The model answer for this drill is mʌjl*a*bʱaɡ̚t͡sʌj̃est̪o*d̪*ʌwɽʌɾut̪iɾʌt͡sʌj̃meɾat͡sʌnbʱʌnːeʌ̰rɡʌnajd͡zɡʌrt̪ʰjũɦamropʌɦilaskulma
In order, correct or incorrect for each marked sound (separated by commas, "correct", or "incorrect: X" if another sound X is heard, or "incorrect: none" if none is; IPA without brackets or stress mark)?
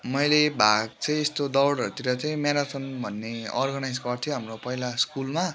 incorrect: e, correct